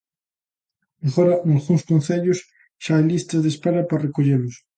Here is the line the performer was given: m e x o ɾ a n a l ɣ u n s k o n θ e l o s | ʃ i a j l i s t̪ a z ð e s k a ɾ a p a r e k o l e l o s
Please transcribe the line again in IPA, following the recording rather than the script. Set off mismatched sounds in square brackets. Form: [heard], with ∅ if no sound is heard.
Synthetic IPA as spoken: m e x o ɾ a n a l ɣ u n s k o n θ e [ʎ] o s | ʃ [a] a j l i s t̪ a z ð e s [p] a ɾ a p a r e k o [ʎ] e l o s